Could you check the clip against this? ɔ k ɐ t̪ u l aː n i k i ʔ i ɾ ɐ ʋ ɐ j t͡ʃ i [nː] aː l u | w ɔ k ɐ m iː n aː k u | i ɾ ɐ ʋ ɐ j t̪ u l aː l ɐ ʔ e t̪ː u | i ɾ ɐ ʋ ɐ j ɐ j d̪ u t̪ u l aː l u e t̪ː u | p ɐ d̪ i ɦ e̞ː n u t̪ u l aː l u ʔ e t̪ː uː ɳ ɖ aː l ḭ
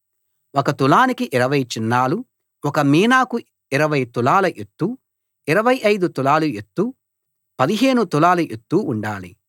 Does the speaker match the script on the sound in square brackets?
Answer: yes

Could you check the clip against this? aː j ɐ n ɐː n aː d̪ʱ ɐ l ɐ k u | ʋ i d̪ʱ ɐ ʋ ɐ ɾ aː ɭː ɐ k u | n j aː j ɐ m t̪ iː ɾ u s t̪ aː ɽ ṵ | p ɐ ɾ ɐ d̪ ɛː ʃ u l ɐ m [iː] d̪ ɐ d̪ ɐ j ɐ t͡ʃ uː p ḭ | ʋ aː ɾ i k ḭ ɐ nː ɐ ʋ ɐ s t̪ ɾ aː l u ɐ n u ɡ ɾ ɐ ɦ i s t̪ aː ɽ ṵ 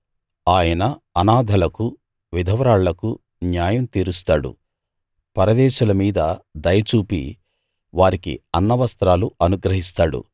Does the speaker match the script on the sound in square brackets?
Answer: yes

